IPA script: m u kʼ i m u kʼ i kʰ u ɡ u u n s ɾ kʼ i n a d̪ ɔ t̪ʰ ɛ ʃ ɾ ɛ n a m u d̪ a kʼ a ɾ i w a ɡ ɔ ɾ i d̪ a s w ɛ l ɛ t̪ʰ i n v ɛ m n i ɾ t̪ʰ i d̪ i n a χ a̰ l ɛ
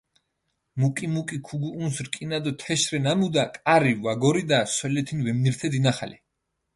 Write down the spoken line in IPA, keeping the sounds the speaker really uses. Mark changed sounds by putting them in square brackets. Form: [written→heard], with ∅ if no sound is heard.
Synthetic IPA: m u kʼ i m u kʼ i kʰ u ɡ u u n s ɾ kʼ i n a d̪ ɔ t̪ʰ ɛ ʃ ɾ ɛ n a m u d̪ a kʼ a ɾ i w a ɡ ɔ ɾ i d̪ a s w ɛ l ɛ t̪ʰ i n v ɛ m n i ɾ t̪ʰ [i→ɛ] d̪ i n a χ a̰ l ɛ